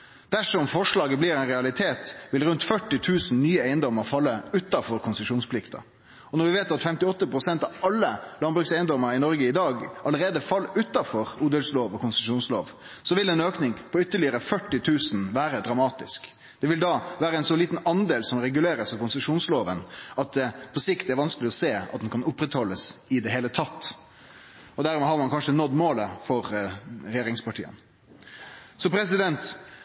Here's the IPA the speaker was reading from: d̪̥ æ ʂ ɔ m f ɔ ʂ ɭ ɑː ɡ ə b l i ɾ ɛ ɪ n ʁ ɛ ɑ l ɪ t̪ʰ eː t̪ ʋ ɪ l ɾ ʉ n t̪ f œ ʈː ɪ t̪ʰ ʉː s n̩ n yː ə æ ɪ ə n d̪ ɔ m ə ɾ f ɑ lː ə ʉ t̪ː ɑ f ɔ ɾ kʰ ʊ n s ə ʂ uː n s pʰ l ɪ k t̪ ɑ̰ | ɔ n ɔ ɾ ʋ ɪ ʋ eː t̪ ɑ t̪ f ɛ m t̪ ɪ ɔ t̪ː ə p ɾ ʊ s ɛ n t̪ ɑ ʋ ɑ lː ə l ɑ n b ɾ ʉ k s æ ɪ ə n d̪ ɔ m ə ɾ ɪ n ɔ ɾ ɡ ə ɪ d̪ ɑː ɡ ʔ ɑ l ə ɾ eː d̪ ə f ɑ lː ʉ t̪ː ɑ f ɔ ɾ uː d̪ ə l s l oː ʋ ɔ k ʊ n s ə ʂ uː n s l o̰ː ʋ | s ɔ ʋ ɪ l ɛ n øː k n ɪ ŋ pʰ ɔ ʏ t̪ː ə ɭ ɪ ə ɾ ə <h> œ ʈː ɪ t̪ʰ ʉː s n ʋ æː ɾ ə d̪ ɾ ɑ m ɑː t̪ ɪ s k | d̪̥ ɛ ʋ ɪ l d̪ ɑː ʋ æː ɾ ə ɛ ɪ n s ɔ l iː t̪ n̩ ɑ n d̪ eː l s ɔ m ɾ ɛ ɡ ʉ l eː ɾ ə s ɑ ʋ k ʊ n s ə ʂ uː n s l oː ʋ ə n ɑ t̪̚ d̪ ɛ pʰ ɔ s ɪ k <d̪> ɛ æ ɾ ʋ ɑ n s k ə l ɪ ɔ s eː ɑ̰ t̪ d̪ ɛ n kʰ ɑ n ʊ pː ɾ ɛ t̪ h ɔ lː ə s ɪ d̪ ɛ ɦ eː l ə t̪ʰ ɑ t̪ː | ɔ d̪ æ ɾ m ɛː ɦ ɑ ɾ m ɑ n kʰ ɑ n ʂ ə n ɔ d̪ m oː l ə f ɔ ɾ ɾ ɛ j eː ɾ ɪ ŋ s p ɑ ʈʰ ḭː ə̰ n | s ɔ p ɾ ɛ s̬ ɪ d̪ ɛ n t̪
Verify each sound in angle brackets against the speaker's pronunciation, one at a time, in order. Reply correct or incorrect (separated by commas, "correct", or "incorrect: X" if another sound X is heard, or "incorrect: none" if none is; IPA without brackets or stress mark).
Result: incorrect: f, incorrect: t̪